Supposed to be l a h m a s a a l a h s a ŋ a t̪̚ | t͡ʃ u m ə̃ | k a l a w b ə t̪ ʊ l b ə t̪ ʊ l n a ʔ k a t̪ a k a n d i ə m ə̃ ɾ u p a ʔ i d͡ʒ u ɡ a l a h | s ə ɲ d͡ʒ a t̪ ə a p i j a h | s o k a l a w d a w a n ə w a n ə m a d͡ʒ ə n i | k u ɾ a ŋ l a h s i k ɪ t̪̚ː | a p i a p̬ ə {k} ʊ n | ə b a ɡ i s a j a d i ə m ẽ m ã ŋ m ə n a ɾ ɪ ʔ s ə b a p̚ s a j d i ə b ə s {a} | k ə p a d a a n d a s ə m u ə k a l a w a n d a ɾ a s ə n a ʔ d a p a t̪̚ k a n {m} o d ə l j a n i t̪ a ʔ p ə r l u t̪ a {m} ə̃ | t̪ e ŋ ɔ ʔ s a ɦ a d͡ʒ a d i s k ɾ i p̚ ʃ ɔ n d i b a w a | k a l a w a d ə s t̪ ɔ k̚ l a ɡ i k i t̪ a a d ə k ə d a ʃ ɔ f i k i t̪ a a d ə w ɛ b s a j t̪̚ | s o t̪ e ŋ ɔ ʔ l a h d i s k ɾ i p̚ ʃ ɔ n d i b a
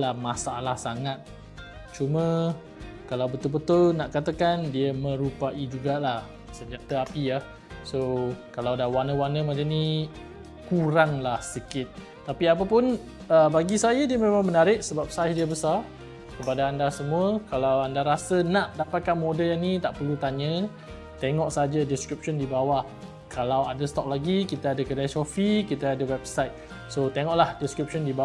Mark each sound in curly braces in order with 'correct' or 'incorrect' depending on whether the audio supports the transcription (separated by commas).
incorrect, correct, correct, incorrect